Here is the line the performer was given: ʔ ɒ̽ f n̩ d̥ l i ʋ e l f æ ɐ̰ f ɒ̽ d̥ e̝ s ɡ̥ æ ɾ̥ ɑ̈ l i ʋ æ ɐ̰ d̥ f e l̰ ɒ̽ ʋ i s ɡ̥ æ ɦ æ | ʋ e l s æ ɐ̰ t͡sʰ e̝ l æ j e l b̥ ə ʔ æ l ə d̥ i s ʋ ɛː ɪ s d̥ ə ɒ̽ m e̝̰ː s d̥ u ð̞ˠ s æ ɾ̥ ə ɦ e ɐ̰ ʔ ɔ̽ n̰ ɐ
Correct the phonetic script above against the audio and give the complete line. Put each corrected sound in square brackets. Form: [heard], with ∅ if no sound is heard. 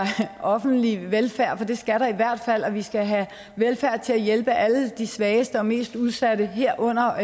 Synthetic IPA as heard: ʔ ɒ̽ f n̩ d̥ l i ʋ e l f æ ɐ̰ f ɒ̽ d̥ e̝ s ɡ̥ æ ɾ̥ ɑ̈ [∅] i ʋ æ ɐ̰ d̥ f [æ] l̰ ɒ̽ ʋ i s ɡ̥ æ ɦ æ | ʋ e l [f] æ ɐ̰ t͡sʰ e̝ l æ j e l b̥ ə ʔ æ l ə d̥ i s ʋ ɛː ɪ s d̥ ə ɒ̽ m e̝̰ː s d̥ u ð̞ˠ s æ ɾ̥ ə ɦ e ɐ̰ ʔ ɔ̽ n̰ ɐ